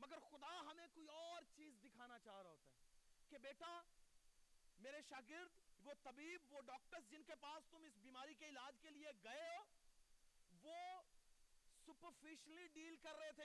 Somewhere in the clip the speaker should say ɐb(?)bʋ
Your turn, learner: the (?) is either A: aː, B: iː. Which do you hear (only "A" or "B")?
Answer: B